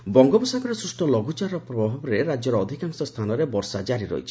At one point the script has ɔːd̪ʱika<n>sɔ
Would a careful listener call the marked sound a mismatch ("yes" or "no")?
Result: yes